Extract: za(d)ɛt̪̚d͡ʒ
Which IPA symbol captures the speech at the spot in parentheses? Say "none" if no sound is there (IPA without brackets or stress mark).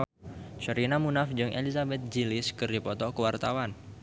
b